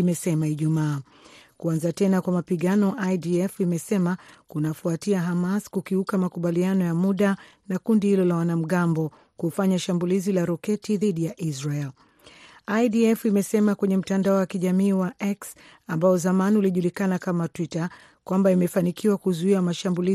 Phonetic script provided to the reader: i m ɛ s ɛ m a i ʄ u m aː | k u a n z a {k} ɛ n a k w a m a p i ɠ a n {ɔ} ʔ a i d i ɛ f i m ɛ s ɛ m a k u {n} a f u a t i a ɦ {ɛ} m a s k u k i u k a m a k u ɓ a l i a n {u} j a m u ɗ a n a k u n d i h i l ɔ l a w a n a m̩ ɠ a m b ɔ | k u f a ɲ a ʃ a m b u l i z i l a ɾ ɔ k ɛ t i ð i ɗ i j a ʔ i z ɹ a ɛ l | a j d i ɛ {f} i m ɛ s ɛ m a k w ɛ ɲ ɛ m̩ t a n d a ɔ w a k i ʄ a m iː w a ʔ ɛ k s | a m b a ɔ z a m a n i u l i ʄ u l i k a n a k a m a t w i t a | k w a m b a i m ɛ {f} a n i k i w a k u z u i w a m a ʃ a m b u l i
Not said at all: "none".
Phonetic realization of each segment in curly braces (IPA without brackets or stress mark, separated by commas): t, ɔ, n, a, ɔ, f, f